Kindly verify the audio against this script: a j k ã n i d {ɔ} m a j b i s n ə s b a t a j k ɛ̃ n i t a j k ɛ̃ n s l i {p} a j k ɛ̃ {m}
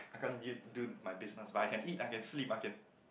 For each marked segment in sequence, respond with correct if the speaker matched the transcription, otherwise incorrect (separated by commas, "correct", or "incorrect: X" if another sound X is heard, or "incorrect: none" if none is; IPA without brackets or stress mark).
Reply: incorrect: u, correct, incorrect: n